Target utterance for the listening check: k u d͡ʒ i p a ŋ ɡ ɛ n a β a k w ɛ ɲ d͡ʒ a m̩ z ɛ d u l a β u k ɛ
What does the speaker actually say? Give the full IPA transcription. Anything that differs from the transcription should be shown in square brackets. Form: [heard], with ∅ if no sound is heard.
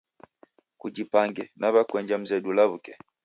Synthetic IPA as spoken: k u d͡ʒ i p a ŋ ɡ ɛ n a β a k w ɛ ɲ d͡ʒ a m̩ z ɛ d u l a β u k ɛ

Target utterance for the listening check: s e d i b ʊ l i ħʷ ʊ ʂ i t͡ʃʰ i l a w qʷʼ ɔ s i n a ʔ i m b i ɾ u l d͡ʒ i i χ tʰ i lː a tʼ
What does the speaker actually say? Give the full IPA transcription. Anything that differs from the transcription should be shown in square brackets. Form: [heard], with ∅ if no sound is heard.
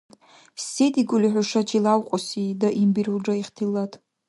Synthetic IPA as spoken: s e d i [ɡ] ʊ l i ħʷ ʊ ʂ [a] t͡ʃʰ i l a w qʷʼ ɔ s i [d] a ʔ i m b i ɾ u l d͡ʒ [a] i χ tʰ i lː a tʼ

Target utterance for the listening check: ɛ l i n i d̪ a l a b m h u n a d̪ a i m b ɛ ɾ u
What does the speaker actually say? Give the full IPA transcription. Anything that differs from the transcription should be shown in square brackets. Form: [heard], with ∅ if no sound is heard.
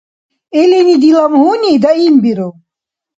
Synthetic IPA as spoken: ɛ l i n i d̪ [i] l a [∅] m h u n [i] d̪ a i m b [i] ɾ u

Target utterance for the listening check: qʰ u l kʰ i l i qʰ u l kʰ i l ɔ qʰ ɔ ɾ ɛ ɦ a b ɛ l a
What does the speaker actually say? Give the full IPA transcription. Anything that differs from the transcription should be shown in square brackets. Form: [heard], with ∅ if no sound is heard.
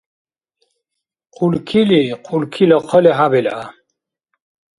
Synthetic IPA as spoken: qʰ u l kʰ i l i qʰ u l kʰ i l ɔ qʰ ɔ [l] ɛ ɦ a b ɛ l a

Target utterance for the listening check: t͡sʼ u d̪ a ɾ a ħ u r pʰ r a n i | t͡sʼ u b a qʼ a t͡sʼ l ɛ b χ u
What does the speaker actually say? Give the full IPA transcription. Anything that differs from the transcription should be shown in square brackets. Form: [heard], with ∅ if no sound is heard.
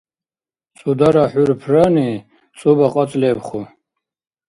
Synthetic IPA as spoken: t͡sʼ u d̪ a ɾ a ħ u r pʰ r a n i | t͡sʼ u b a qʼ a t͡sʼ l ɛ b χ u

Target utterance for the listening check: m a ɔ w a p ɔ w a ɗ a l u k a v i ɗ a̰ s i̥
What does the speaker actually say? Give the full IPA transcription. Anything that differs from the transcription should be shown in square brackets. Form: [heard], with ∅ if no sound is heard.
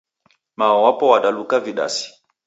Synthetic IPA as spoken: m a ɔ w a p ɔ w a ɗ a l u k a v i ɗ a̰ s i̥

